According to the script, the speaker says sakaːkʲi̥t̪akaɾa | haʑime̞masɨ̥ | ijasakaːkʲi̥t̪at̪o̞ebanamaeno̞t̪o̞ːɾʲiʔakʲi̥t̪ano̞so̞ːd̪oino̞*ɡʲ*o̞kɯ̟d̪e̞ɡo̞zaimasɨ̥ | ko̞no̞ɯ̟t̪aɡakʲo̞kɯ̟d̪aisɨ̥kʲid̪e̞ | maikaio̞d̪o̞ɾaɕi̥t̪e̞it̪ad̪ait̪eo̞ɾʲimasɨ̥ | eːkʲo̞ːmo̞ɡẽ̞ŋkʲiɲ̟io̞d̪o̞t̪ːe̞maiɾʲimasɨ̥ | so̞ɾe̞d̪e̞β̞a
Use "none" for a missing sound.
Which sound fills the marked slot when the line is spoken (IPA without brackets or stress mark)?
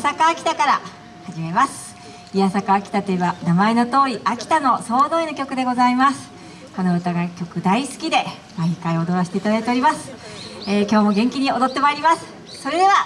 kʲ